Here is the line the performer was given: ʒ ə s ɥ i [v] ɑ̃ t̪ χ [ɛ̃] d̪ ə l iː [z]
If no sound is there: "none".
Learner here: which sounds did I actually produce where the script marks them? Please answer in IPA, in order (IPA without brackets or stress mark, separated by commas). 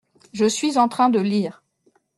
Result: z, ɛ̃, ʁ